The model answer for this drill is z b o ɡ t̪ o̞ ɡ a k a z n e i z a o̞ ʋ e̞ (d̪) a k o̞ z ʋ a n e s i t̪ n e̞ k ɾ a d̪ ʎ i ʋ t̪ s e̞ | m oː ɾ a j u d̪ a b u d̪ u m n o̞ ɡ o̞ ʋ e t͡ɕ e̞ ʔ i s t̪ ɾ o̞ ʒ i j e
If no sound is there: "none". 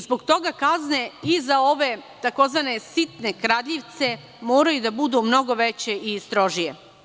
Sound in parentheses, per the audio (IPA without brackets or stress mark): t̪